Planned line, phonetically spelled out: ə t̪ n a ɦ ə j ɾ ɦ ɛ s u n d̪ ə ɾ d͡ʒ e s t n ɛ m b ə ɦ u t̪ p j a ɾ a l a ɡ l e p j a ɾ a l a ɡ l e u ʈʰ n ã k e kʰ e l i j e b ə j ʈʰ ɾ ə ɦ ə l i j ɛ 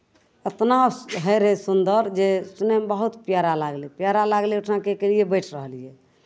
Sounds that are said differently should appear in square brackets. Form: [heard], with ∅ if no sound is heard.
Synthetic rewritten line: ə t̪ n a ɦ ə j ɾ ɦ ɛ s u n d̪ ə ɾ d͡ʒ e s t n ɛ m b ə ɦ u t̪ p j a ɾ a l a ɡ l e p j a ɾ a l a ɡ l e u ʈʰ n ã k e [k] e l i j e b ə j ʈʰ ɾ ə ɦ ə l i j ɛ

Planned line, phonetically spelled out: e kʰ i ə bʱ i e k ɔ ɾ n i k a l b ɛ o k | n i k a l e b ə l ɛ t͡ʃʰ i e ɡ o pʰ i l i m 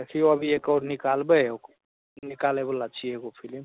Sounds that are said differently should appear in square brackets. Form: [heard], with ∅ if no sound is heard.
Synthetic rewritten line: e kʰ i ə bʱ i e k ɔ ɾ n i k a l b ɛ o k | n i k a l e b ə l [a] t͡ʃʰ i e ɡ o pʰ i l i m

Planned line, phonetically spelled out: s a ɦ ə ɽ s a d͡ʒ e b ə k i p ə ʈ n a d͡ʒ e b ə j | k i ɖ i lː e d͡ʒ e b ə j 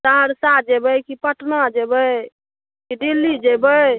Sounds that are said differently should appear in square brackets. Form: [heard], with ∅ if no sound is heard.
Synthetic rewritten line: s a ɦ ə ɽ s a d͡ʒ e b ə k i p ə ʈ n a d͡ʒ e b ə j | k i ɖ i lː [i] d͡ʒ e b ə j

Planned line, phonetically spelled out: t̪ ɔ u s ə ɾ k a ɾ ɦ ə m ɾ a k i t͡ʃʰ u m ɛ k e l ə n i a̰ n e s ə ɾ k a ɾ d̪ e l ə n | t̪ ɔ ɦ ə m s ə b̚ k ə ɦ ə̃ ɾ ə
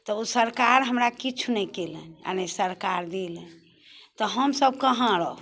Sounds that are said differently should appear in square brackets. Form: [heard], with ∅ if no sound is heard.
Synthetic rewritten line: t̪ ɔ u s ə ɾ k a ɾ ɦ ə m ɾ a k i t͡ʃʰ u [n] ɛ k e l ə n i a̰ n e s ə ɾ k a ɾ d̪ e l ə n | t̪ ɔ ɦ ə m s ə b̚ k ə ɦ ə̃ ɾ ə

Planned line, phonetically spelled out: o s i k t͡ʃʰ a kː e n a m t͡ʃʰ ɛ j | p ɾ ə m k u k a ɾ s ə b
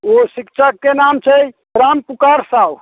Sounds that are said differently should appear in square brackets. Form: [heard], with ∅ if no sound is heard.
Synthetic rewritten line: o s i k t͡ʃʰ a kː e n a m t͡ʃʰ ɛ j | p ɾ [a] m [p] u k a ɾ s [a] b

